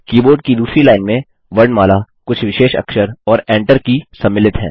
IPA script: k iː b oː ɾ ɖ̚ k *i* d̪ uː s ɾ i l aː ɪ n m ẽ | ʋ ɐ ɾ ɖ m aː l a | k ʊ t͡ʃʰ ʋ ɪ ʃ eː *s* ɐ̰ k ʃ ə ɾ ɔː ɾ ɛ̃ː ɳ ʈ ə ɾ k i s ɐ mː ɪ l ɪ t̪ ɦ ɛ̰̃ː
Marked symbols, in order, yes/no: yes, no

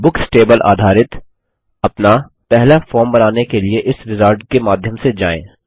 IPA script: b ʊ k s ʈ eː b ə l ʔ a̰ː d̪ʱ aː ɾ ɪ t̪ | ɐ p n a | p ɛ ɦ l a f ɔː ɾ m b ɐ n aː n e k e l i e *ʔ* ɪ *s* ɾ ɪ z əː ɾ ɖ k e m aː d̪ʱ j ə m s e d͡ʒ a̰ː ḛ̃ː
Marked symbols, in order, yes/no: yes, yes

